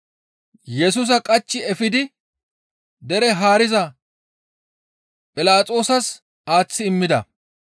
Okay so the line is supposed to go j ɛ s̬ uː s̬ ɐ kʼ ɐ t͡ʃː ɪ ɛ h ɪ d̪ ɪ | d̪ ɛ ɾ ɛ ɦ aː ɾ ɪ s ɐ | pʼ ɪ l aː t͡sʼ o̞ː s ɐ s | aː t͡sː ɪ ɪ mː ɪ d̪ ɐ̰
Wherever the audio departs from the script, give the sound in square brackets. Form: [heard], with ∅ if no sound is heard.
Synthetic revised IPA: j ɛ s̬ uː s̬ ɐ kʼ ɐ t͡ʃː ɪ ɛ [f] ɪ d̪ ɪ | d̪ ɛ ɾ ɛ ɦ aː ɾ ɪ [z] ɐ | pʼ ɪ l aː t͡sʼ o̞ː s ɐ s | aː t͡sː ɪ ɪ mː ɪ d̪ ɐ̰